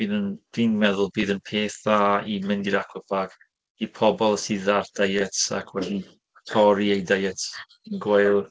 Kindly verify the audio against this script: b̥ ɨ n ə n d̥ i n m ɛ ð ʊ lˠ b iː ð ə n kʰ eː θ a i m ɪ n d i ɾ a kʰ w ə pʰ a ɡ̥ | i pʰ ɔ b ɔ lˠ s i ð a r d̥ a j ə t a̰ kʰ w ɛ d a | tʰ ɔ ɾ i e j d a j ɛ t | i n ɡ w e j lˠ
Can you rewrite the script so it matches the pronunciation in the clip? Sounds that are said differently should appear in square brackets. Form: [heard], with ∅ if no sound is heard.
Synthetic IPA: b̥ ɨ n ə n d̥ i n m ɛ ð ʊ lˠ b iː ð ə n [pʰ] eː θ a i m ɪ n d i ɾ a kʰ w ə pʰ a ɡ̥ | i pʰ ɔ b ɔ lˠ s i ð a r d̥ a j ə t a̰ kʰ w ɛ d [i] | tʰ ɔ ɾ i e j d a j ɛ t | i n ɡ w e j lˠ

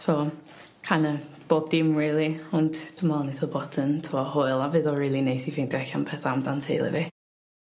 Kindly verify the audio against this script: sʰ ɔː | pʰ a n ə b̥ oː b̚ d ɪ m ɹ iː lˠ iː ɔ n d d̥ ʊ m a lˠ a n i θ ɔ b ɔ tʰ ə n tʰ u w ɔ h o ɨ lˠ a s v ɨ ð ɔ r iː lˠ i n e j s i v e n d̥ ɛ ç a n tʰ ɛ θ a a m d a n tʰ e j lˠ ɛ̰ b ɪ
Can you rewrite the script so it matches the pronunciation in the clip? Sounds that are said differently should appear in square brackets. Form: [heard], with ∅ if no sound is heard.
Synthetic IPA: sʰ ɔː | [kʰ] a n ə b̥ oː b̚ d ɪ m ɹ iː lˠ [i] ɔ n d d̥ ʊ m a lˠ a n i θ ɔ b ɔ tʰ ə n tʰ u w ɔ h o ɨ lˠ a [∅] v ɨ ð ɔ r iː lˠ i n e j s i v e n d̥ ɛ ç a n [pʰ] ɛ θ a a m d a n tʰ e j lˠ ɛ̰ [v] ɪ

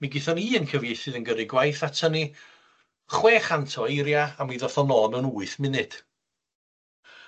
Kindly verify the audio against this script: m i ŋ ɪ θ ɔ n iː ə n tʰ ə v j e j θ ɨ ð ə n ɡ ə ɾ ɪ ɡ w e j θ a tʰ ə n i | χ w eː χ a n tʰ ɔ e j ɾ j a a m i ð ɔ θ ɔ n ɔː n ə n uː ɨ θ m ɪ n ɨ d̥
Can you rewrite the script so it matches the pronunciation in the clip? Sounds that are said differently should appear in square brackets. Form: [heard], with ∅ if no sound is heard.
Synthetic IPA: m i [ɡ] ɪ θ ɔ n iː ə n [kʰ] ə v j e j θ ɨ ð ə n ɡ ə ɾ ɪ ɡ w [a] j θ a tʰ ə n i | χ w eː χ a n tʰ ɔ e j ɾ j a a m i ð ɔ θ ɔ n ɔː n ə n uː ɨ θ m ɪ n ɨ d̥

